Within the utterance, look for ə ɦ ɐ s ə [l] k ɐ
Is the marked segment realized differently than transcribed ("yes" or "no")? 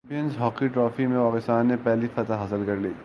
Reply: no